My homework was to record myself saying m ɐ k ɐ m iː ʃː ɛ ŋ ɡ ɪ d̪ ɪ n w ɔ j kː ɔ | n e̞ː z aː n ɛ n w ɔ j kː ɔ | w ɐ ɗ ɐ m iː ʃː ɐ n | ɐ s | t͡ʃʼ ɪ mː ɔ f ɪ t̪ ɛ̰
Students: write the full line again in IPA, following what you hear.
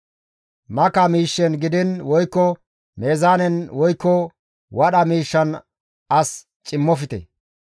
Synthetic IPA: m ɐ k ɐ m iː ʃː ɛ n ɡ ɪ d̪ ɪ n w ɔ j kː ɔ | m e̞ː z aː n ɛ n w ɔ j kː ɔ | w ɐ ɗ ɐ m iː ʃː ɐ n | ɐ s | t͡ʃʼ ɪ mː ɔ f ɪ t̪ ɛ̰

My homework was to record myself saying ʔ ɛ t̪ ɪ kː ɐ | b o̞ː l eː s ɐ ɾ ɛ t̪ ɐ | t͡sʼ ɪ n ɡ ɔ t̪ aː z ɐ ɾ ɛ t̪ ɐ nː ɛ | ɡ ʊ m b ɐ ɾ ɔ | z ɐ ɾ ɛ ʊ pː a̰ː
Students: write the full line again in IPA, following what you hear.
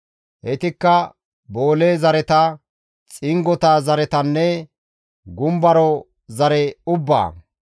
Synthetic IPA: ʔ ɛ t̪ ɪ kː ɐ | b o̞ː l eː z ɐ ɾ ɛ t̪ ɐ | t͡sʼ ɪ ŋ ɡ ɔ t̪ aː z ɐ ɾ ɛ t̪ ɐ nː ɛ | ɡ ʊ m b ɐ ɾ ɔ | z ɐ ɾ ɛ ʊ bː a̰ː

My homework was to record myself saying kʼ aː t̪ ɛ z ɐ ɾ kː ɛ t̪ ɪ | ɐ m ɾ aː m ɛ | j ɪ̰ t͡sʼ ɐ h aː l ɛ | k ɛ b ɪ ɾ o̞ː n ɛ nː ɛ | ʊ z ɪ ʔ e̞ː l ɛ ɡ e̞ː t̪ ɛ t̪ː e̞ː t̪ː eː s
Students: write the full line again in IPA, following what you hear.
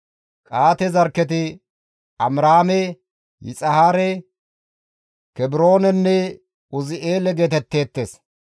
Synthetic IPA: kʼ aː t̪ ɛ z ɐ ɾ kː ɛ t̪ ɪ | ɐ m ɾ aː m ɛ | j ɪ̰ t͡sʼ ɐ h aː ɾ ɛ | k ɛ b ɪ ɾ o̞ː n ɛ nː ɛ | ʊ z ɪ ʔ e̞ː l ɛ ɡ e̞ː t̪ ɛ t̪ː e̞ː t̪ː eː s

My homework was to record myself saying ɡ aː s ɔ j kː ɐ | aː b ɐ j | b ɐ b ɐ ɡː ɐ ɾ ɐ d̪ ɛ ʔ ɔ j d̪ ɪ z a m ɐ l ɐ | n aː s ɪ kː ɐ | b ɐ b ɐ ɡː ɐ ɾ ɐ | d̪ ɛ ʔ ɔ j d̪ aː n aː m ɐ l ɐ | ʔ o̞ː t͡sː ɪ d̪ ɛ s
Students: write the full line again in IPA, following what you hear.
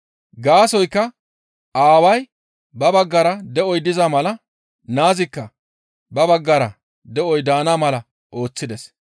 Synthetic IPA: ɡ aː s ɔ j kː ɐ | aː w ɐ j | b ɐ b ɐ ɡː ɐ ɾ ɐ d̪ ɛ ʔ ɔ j d̪ ɪ z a m ɐ l ɐ | n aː z ɪ kː ɐ | b ɐ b ɐ ɡː ɐ ɾ ɐ | d̪ ɛ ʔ ɔ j d̪ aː n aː m ɐ l ɐ | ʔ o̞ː t͡sː ɪ d̪ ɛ s

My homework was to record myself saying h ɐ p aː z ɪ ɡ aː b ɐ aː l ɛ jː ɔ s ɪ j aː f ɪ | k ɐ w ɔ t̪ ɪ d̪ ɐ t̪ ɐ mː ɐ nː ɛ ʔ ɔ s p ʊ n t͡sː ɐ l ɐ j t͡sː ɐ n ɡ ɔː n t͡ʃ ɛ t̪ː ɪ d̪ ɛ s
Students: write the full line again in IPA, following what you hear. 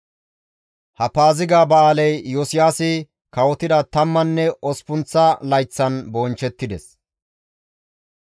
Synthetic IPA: h ɐ p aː z ɪ ɡ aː b ɐ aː l ɛ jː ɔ s ɪ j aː s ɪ | k ɐ w ɔ t̪ ɪ d̪ ɐ t̪ ɐ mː ɐ nː ɛ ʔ ɔ s p ʊ n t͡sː ɐ l ɐ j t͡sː ɐ n b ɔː n t͡ʃ ɛ t̪ː ɪ d̪ ɛ s

